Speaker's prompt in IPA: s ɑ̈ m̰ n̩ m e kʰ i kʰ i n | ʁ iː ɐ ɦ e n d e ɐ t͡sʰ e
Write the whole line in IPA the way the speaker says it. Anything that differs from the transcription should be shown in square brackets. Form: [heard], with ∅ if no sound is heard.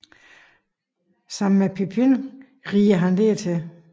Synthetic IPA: s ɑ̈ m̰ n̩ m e [pʰ] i [pʰ] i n | ʁ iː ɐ ɦ [æ] n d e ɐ t͡sʰ e